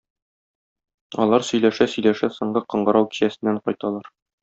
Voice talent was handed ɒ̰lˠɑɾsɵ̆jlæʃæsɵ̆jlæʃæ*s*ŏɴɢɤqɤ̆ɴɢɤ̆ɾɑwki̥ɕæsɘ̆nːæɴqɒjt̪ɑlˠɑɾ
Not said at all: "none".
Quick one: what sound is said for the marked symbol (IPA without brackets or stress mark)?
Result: s